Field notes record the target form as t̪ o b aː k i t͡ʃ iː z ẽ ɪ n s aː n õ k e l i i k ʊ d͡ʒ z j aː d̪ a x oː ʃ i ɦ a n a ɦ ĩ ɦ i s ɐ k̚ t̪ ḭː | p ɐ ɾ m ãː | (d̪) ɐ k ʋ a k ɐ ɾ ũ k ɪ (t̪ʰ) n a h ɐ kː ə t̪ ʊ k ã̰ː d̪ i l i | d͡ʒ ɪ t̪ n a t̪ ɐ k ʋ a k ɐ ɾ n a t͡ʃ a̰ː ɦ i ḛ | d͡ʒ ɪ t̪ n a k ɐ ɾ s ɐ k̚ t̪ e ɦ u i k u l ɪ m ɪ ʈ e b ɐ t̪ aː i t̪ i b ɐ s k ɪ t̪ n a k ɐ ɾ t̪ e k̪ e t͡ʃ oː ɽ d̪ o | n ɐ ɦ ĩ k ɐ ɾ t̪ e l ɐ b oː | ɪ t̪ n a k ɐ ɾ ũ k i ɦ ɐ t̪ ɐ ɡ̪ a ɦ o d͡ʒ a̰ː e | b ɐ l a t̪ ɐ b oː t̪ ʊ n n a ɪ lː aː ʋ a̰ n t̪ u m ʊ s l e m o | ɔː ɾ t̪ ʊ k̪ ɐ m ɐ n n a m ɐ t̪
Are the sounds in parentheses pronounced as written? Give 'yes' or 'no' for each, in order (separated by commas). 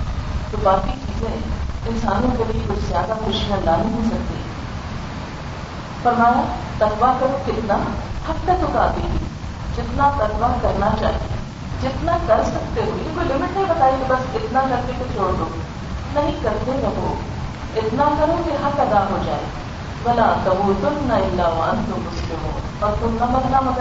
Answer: no, no